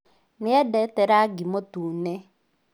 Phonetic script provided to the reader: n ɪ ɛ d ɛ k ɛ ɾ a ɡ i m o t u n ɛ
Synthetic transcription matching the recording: n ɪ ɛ d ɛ t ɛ ɾ a ɡ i m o t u n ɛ